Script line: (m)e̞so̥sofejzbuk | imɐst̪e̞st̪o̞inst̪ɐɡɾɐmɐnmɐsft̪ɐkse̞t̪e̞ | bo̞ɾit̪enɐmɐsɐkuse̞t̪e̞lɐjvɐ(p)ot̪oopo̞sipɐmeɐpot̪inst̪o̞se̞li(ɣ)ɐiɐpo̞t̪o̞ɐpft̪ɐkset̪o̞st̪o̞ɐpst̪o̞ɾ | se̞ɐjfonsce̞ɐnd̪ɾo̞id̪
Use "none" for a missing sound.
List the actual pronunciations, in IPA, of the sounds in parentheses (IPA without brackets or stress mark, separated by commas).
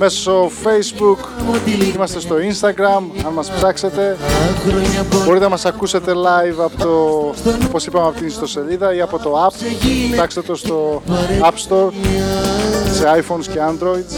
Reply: m, p, ð